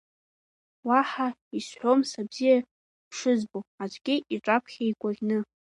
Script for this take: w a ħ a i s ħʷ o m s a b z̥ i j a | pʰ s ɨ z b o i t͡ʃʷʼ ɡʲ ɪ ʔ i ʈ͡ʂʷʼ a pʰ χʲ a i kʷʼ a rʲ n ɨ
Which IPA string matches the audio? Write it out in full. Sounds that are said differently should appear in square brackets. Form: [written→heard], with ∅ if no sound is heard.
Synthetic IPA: w a ħ a i s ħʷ o m s a b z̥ i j a | pʰ [s→ʂ] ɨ z b o [i→a] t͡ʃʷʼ ɡʲ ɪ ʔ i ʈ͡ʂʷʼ a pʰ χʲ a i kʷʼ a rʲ n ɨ